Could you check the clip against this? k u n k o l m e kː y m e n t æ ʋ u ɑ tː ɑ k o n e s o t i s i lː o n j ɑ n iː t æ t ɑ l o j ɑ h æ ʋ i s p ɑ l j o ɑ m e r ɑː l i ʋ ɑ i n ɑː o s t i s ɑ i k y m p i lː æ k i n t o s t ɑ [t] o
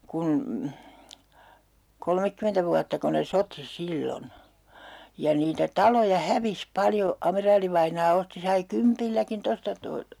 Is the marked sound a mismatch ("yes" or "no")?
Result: no